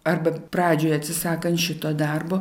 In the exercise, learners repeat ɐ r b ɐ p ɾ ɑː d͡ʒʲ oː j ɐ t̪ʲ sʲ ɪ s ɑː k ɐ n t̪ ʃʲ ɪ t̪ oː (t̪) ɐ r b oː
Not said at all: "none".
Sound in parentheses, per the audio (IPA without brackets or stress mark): d̪